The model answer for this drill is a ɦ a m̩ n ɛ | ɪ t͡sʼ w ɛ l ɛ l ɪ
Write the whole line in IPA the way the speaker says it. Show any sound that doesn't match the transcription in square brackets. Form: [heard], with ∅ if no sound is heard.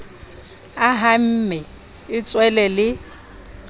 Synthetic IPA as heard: a ɦ a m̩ [m] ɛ | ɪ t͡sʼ w ɛ l ɛ l ɪ

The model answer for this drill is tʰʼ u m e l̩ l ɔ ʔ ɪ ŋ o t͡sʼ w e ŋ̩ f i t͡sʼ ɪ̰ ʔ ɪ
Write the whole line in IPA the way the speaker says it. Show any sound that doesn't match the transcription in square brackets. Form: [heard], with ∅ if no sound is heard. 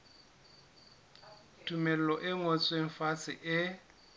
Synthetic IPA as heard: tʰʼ u m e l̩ l ɔ ʔ ɪ ŋ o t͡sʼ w e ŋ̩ f [a] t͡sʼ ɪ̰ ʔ ɪ

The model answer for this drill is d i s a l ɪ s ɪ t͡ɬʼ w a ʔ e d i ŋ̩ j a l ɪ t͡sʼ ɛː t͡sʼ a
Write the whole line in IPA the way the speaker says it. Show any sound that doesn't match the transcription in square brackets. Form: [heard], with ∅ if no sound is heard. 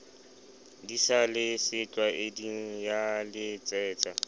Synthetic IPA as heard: d i s a l ɪ s ɪ t͡ɬʼ w a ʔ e d i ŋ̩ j a l ɪ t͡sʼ ɛː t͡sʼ a

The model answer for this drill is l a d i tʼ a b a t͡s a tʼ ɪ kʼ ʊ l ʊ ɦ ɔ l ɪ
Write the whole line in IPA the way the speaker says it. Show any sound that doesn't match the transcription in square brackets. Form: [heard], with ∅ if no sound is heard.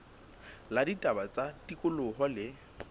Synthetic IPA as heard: l a d i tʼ a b a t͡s a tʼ [i] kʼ ʊ l ʊ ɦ ɔ l ɪ

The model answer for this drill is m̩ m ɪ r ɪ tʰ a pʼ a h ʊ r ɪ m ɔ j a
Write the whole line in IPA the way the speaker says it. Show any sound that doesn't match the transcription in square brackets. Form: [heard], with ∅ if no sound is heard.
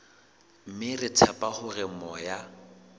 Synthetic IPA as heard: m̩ m ɪ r ɪ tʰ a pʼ a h ʊ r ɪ m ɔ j a

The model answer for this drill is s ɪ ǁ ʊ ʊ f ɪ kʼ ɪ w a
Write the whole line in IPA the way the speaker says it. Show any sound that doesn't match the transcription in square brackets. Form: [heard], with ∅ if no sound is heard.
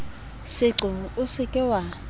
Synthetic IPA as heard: s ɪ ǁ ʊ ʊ [s] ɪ kʼ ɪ w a

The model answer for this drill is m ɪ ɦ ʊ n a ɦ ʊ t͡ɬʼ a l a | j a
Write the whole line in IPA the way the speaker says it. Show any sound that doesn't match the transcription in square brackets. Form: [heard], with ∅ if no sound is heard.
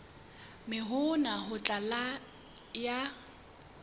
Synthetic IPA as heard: m ɪ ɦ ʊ n a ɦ ʊ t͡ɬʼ a l a | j a

